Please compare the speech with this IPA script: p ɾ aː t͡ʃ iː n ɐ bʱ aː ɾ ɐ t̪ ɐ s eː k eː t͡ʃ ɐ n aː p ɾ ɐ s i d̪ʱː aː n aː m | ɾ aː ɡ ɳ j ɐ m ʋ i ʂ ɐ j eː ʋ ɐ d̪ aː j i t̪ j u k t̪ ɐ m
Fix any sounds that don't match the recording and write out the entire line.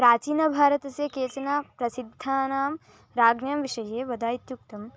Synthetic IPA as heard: p ɾ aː t͡ʃ iː n ɐ bʱ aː ɾ ɐ t̪ ɐ s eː k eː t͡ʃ ɐ n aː p ɾ ɐ s i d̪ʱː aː n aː m | ɾ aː ɡ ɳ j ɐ m ʋ i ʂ ɐ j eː ʋ ɐ d̪ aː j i t̪ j u k t̪ ɐ m